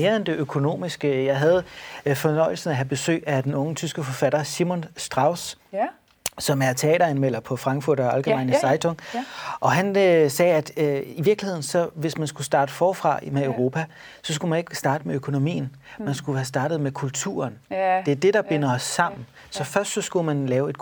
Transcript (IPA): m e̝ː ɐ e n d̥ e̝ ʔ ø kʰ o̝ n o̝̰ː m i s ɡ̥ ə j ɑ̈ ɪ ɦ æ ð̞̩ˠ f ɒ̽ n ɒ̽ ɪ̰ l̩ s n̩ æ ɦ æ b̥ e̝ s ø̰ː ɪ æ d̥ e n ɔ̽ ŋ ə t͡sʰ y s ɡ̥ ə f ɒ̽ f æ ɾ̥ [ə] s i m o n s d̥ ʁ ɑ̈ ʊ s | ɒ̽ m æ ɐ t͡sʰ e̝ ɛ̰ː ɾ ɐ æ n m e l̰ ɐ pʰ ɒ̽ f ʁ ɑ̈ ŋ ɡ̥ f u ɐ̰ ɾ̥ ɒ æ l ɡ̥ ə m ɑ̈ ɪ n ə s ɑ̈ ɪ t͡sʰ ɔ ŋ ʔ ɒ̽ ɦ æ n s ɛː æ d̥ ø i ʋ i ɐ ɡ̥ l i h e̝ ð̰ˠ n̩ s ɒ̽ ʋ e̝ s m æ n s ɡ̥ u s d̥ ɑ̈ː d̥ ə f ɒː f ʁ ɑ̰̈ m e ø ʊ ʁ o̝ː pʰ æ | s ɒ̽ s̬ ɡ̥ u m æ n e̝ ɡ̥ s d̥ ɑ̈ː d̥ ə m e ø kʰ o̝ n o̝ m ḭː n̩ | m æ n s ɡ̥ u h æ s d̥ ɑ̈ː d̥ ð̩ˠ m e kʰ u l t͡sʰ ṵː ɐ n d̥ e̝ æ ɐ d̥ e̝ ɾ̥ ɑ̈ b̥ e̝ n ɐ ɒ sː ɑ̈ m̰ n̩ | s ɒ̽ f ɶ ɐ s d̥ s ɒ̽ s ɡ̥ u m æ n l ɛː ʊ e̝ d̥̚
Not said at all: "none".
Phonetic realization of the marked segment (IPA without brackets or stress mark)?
ɐ